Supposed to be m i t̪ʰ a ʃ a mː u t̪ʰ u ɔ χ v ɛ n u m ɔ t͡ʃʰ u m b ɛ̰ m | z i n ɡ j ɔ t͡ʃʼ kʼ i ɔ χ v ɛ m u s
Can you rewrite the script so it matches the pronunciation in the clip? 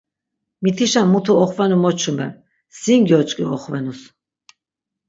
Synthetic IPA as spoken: m i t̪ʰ i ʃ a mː u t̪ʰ u ɔ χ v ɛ n u m ɔ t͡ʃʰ u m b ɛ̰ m | s i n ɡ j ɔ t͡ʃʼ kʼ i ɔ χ v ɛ n u s